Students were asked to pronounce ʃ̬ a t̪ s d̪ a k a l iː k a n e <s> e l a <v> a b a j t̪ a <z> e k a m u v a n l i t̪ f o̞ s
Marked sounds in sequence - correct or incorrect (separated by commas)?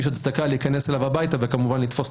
correct, correct, incorrect